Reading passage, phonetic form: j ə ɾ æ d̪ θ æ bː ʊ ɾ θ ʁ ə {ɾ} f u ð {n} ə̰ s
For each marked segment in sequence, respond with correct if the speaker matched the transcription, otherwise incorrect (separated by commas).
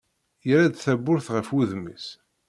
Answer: incorrect, incorrect